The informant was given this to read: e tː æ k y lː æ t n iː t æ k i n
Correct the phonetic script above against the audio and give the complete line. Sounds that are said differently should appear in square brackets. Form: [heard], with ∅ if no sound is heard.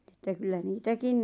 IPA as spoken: e tː æ k y lː æ [∅] n iː t æ k i n